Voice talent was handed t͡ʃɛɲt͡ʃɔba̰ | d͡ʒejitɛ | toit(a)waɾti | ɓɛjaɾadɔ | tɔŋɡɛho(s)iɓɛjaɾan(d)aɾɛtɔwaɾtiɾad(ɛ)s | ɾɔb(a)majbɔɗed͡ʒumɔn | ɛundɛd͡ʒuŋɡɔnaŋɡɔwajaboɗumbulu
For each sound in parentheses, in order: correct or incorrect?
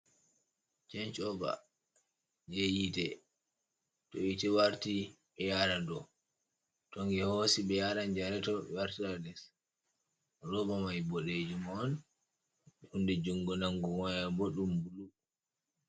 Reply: incorrect, correct, incorrect, correct, correct

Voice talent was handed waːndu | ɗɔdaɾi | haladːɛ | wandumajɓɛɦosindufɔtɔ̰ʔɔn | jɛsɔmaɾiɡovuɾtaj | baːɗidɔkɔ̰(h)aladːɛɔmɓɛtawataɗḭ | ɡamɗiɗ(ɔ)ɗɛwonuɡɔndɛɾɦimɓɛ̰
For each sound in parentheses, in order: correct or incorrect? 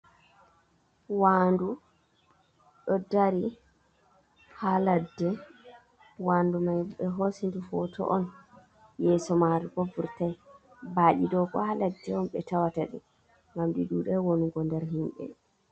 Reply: correct, incorrect

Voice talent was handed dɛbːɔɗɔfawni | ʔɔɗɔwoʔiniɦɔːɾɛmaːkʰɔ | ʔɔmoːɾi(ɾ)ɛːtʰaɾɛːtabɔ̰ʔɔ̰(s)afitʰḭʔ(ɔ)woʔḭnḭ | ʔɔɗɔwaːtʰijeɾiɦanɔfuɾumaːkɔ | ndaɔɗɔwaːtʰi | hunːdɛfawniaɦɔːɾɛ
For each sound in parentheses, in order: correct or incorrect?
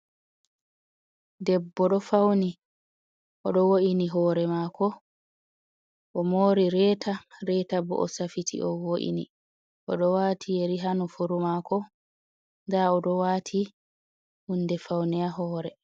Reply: correct, correct, correct

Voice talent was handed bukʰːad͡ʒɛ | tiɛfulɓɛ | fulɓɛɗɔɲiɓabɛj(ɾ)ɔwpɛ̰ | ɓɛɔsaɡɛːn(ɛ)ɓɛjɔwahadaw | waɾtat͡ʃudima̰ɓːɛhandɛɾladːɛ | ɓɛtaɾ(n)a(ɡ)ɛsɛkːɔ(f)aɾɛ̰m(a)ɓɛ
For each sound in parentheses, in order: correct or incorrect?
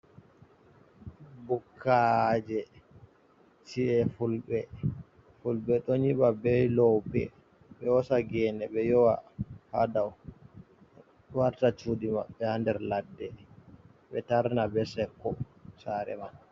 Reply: incorrect, correct, correct, incorrect, incorrect, correct

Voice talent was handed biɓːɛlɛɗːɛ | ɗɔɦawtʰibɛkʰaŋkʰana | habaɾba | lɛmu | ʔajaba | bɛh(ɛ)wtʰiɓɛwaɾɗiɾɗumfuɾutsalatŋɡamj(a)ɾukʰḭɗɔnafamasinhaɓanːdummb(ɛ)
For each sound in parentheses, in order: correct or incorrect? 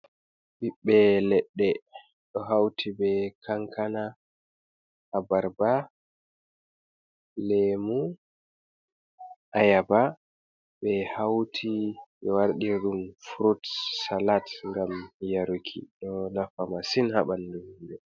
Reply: incorrect, correct, correct

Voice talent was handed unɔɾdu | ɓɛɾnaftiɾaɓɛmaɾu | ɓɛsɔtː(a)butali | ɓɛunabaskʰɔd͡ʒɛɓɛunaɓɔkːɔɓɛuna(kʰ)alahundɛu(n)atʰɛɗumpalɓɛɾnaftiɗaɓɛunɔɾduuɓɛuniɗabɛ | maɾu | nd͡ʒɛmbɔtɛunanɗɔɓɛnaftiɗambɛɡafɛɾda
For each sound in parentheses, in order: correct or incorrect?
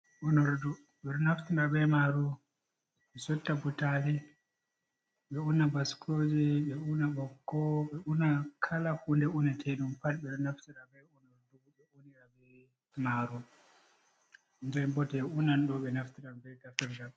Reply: correct, correct, correct

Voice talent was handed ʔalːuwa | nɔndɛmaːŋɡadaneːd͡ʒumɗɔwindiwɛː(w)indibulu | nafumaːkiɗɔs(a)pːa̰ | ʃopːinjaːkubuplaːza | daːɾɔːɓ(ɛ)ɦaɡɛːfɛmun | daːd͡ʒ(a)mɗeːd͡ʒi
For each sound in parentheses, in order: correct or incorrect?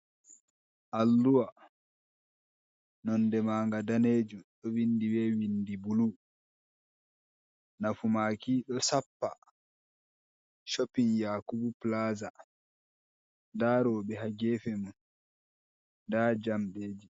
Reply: correct, correct, correct, correct

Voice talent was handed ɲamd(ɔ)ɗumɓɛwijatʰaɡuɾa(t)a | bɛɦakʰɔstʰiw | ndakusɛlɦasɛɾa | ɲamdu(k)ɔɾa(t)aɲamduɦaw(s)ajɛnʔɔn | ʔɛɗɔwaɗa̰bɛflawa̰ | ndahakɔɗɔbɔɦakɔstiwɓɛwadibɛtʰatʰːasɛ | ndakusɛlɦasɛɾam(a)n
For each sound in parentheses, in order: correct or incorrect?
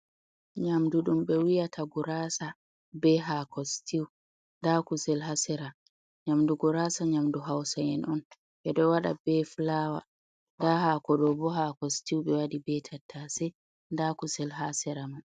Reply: incorrect, incorrect, incorrect, incorrect, correct, correct

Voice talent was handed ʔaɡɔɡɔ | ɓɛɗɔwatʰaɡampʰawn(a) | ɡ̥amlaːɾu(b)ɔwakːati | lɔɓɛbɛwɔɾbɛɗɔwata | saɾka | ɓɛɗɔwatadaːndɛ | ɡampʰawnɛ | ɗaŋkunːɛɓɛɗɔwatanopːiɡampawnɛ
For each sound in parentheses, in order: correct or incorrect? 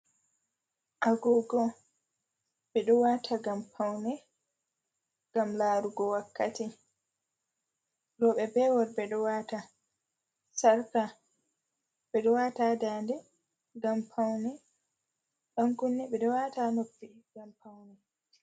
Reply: incorrect, incorrect

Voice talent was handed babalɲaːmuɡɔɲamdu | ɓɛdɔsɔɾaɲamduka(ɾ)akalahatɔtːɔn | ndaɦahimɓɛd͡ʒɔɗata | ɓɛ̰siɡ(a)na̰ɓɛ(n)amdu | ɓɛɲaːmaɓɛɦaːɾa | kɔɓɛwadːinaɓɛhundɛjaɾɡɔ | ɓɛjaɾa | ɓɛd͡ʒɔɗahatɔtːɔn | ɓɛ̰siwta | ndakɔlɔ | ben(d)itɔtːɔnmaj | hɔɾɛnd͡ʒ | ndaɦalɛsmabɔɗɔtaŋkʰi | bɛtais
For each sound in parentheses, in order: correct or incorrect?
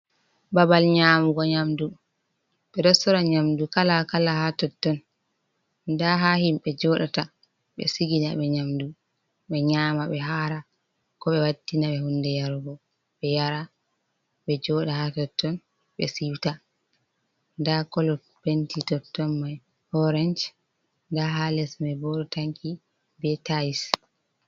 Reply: incorrect, incorrect, incorrect, incorrect

